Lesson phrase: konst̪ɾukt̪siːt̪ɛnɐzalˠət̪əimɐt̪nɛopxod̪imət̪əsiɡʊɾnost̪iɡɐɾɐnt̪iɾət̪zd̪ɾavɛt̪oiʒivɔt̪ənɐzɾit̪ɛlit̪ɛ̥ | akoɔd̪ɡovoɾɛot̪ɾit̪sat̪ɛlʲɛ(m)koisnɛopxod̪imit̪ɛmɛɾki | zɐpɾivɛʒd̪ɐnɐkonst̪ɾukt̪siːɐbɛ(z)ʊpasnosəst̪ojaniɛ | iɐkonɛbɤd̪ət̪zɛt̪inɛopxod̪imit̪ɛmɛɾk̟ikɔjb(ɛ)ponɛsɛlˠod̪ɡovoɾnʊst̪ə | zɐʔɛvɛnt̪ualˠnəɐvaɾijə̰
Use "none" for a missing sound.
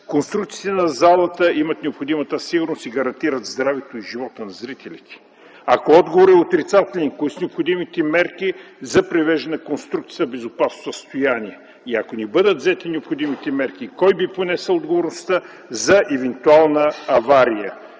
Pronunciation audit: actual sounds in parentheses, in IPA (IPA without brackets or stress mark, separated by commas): n, z, i